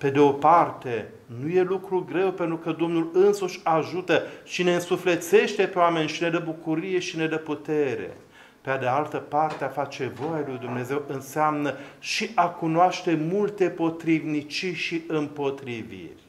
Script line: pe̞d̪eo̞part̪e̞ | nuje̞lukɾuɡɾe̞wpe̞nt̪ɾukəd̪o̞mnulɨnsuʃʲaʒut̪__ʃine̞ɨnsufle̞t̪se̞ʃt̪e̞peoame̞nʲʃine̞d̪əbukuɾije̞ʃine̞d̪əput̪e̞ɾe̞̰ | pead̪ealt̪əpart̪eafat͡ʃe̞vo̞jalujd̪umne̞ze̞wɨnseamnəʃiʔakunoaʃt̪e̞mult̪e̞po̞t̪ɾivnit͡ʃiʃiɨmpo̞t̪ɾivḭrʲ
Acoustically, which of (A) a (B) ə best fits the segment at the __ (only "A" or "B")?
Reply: B